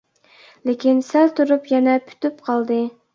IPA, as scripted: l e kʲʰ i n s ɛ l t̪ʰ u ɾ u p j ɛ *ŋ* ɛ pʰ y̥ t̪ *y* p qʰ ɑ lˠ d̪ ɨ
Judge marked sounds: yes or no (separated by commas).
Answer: no, yes